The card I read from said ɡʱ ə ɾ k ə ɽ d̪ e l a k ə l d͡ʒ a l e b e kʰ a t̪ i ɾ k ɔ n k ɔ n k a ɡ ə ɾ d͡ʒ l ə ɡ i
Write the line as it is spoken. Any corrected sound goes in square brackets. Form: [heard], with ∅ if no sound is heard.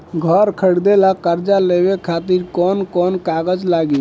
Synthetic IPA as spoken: ɡʱ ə ɾ [kʰ] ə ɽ d̪ e l a k ə [ɾ] d͡ʒ a l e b e kʰ a t̪ i ɾ k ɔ n k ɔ n k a ɡ ə [∅] d͡ʒ l [a] ɡ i